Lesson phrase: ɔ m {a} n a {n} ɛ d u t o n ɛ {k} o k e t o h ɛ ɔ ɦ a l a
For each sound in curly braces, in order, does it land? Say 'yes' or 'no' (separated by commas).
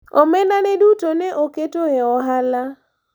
no, yes, no